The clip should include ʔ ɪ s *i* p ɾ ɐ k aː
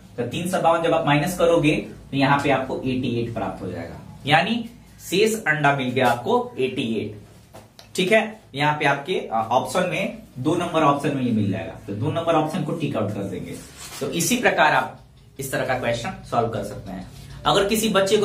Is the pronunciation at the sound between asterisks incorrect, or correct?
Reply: correct